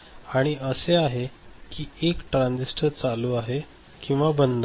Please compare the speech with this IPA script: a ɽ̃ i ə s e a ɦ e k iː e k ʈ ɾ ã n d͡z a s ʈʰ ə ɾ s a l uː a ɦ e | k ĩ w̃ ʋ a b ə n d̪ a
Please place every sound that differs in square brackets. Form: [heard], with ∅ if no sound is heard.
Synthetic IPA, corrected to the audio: a ɽ̃ i ə s e a ɦ e k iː e k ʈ ɾ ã n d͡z [i] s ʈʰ ə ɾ [t͡s] a l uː a ɦ e | k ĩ w̃ ʋ a b ə n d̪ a